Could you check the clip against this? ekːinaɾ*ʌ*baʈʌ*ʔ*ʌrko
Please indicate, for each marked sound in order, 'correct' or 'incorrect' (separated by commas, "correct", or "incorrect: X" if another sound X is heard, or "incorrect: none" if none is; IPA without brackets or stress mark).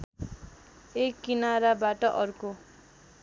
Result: incorrect: a, correct